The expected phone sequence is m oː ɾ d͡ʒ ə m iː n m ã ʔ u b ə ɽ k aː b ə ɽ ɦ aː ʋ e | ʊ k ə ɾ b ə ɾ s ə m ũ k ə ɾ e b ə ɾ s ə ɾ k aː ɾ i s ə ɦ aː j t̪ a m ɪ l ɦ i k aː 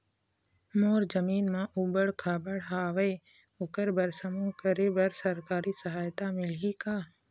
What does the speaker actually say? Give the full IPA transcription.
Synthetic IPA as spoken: m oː ɾ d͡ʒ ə m iː n m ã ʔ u b ə ɽ kʰ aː b ə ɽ ɦ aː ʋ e | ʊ k ə ɾ b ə ɾ s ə m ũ k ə ɾ e b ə ɾ s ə ɾ k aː ɾ i s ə ɦ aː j t̪ a m ɪ l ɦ i k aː